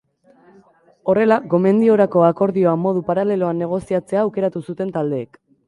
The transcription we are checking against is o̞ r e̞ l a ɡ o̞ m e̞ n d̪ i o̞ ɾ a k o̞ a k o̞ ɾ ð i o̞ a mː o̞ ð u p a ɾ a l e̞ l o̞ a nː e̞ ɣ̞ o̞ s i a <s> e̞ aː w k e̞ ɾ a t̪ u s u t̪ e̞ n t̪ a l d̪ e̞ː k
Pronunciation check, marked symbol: incorrect: t͡s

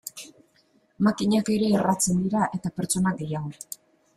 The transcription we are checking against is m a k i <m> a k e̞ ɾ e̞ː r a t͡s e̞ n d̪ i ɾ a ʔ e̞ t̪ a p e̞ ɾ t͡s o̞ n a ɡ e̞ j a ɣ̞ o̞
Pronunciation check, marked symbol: incorrect: ɲ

